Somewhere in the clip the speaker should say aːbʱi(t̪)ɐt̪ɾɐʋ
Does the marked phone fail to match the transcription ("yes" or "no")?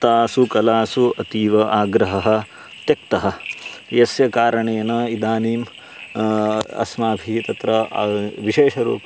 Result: no